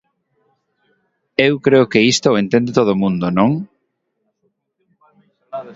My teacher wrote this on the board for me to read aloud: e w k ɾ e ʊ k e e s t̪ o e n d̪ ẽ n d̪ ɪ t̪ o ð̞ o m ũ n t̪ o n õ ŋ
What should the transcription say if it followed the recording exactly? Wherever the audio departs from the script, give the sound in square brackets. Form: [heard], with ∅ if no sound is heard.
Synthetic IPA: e w k ɾ e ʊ k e [i] s t̪ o e n [t̪] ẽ n d̪ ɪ t̪ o ð̞ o m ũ n [d̪] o n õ ŋ